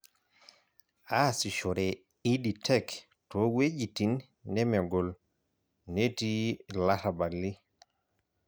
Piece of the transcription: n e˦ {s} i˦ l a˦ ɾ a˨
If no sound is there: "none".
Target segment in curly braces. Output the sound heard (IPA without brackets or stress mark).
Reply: t